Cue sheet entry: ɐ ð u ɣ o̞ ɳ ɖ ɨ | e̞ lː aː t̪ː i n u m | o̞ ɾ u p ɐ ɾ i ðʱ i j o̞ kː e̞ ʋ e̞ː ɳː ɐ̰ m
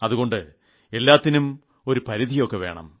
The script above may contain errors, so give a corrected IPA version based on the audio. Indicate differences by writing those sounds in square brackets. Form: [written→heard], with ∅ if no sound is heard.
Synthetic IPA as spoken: ɐ ð u ɣ o̞ ɳ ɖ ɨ | e̞ lː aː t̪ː i n u m | o̞ ɾ u p ɐ ɾ i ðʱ i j o̞ kː e̞ ʋ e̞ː [ɳː→ɳ] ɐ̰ m